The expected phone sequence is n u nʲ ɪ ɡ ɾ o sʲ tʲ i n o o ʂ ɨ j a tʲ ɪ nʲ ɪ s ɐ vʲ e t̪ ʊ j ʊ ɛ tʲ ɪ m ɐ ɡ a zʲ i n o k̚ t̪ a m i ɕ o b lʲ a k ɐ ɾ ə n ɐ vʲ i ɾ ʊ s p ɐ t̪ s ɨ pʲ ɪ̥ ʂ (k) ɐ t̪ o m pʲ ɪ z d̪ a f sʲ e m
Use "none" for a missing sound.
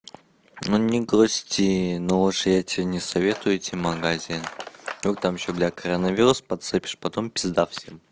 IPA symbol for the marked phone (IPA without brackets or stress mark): p